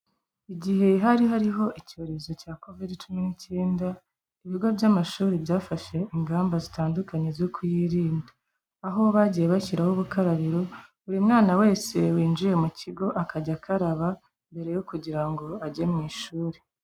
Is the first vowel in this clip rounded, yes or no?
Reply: no